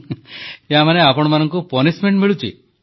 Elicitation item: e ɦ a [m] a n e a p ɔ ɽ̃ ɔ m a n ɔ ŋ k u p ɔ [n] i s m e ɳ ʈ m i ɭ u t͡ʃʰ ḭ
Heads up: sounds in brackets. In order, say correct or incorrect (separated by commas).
correct, correct